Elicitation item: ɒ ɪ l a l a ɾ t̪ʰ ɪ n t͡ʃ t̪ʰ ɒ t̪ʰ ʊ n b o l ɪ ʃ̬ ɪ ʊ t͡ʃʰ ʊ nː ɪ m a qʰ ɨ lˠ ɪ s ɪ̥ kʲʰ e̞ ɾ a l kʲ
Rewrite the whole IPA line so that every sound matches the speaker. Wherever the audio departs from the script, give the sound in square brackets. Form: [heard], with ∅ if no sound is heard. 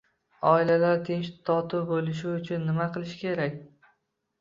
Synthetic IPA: ɒ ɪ l a l a ɾ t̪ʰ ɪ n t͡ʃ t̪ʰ ɒ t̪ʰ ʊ [∅] b o l ɪ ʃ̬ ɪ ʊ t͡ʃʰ ʊ nː ɪ m a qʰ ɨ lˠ ɪ [ʃ] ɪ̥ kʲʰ e̞ ɾ a [∅] kʲ